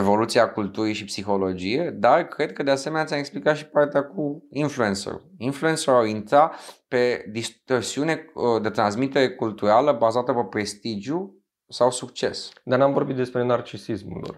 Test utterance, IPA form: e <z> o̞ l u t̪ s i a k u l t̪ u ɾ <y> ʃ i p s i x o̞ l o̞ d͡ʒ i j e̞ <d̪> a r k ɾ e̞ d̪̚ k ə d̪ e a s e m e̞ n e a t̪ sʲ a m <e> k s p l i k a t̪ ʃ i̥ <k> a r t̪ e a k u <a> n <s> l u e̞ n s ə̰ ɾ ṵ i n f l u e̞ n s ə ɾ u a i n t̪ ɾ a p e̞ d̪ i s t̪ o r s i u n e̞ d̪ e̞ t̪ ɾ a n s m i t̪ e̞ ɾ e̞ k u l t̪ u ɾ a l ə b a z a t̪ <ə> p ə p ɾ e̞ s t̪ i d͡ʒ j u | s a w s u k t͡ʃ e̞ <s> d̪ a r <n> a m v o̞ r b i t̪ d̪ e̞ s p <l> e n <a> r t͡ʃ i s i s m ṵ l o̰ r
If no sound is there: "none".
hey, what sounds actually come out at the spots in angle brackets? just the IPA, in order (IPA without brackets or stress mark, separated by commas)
v, i, d̪, e, p, i, f, ə, s, n, ɾ, a